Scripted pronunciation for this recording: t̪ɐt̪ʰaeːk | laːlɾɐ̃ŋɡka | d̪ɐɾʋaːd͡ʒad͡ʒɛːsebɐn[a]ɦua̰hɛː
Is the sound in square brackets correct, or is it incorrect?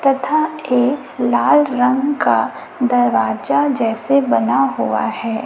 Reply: correct